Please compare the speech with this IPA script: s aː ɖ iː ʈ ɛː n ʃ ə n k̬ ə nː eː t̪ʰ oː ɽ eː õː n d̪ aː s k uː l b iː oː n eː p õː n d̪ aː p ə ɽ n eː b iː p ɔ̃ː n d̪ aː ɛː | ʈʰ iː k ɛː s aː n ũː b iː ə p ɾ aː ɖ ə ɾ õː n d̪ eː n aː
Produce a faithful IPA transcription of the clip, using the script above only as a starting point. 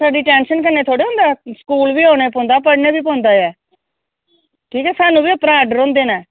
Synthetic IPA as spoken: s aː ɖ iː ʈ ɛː n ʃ ə n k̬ ə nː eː t̪ʰ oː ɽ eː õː n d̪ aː s k uː l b iː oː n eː p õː n d̪ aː p ə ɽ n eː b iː p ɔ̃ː n d̪ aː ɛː | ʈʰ iː k ɛː s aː n ũː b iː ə p ɾ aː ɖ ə ɾ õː n d̪ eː n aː